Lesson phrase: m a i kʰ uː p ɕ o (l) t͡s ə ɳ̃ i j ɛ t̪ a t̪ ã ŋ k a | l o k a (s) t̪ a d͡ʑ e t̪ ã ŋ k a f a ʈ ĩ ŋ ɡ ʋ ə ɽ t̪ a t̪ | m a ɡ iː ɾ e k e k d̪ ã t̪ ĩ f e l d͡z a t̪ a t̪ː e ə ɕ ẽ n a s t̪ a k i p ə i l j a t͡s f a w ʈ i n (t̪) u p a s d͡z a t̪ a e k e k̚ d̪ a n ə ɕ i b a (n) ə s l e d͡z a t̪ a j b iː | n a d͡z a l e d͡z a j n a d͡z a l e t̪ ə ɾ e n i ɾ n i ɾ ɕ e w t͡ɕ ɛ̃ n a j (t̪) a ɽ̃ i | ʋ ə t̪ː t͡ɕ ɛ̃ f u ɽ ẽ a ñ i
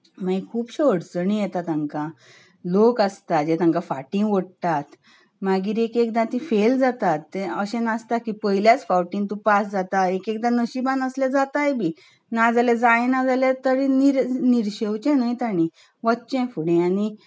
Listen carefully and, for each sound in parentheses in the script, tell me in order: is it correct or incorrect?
incorrect: ɽ, correct, correct, correct, correct

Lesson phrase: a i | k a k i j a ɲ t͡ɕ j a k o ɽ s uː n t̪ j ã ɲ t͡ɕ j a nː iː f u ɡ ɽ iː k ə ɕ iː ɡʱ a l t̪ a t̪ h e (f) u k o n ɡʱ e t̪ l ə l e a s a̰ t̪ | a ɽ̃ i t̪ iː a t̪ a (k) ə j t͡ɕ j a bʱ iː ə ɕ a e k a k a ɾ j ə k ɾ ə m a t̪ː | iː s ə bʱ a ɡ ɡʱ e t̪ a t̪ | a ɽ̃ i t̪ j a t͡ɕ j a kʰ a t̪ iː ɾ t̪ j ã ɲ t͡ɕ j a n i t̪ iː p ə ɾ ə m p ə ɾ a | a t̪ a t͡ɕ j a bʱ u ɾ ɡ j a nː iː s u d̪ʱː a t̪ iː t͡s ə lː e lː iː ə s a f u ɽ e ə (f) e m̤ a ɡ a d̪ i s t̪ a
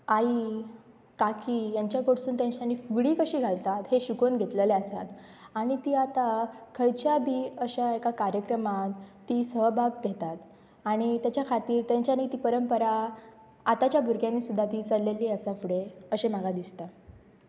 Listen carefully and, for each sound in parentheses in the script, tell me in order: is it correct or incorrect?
incorrect: ɕ, incorrect: kʰ, incorrect: ɕ

